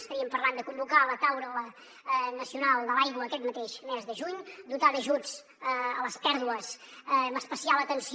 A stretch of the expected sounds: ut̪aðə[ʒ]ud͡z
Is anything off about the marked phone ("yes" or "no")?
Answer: no